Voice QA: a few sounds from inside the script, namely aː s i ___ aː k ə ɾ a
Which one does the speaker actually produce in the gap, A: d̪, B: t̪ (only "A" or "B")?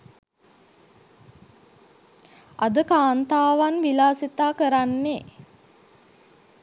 B